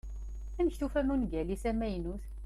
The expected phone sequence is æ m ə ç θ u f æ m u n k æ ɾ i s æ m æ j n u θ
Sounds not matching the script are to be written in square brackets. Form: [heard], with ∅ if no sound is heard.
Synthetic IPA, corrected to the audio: æ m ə ç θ u f æ m u n [ɡ] æ [l] i s æ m æ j n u θ